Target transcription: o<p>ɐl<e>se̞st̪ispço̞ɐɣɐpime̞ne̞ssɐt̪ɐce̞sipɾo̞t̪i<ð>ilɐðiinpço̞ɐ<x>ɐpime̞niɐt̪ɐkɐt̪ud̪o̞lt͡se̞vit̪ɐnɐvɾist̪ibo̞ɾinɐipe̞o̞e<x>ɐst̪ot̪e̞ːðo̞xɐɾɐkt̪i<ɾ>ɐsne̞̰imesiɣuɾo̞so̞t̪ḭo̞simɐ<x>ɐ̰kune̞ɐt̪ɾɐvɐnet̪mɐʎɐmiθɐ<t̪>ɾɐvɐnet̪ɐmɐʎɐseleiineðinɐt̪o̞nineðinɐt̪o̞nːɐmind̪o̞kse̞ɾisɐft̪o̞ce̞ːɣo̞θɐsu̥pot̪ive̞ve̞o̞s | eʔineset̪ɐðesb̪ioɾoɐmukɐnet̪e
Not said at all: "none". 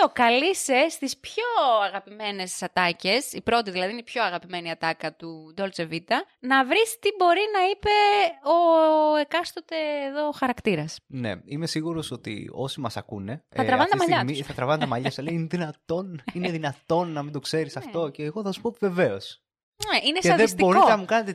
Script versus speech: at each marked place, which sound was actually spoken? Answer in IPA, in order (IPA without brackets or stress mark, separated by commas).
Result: k, i, ð, ɣ, k, ɾ, s, t̪